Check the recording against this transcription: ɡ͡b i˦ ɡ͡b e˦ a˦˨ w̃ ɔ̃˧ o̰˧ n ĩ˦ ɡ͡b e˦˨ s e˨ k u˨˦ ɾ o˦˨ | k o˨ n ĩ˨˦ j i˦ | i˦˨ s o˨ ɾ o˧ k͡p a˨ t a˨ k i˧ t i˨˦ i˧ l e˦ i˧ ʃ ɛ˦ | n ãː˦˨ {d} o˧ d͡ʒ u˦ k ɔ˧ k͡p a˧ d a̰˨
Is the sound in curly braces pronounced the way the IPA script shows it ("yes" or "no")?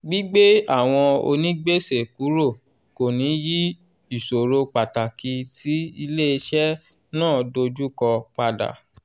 yes